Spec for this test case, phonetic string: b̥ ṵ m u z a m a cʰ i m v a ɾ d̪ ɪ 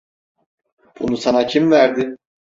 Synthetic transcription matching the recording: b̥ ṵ n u s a n a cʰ i m v æ ɾ d̪ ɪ